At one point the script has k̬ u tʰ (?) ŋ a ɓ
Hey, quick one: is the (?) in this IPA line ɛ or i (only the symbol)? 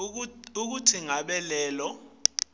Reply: i